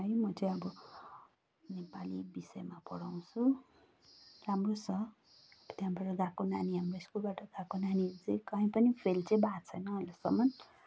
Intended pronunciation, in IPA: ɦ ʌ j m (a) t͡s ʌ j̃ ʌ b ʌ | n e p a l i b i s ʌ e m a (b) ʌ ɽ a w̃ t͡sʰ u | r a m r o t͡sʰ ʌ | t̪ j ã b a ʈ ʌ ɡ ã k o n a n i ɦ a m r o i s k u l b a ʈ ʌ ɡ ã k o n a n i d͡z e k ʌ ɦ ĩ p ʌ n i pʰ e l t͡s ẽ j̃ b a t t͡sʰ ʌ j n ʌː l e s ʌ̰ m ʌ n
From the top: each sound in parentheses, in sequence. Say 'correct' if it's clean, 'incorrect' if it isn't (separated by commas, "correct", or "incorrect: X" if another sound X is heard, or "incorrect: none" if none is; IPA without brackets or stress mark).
incorrect: ʌ, incorrect: p